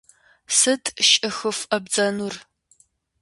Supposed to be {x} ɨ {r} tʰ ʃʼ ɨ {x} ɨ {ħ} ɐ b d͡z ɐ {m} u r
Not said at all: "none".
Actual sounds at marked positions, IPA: s, none, x, f, n

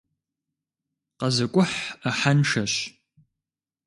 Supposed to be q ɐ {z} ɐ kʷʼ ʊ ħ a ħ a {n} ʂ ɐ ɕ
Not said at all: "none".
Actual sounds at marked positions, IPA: z, n

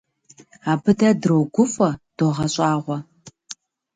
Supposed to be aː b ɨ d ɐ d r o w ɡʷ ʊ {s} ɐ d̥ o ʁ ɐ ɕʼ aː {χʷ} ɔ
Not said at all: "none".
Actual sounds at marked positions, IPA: f, ʁʷ

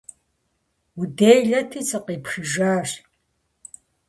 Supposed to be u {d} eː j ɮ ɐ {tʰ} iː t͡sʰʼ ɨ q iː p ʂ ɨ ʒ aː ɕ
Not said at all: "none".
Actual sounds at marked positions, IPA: d, tʰ

